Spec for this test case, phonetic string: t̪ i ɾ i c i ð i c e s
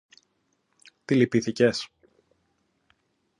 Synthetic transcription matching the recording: t̪ i l i p i θ i c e s